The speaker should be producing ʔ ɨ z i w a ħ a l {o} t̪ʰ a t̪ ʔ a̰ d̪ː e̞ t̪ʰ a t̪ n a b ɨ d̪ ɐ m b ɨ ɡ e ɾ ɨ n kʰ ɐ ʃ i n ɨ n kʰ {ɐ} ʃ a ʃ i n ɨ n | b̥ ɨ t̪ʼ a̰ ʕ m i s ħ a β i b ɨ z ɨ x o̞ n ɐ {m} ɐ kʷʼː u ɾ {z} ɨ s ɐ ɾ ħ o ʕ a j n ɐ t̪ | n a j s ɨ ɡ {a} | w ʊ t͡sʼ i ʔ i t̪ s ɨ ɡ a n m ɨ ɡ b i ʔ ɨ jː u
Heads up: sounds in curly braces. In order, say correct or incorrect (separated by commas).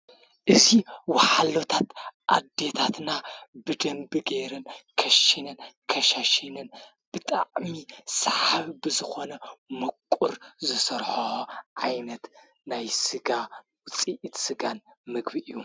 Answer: correct, correct, correct, correct, correct